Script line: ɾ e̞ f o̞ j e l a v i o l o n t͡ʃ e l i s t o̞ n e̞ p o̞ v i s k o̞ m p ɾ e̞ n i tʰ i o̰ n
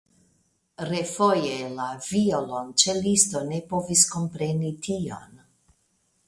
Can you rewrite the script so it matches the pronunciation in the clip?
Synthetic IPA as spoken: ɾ e̞ f o̞ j e l a v i o l o n t͡ʃ e l i s t o̞ n e̞ p o̞ v i s k o̞ m p ɾ e̞ n i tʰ i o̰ n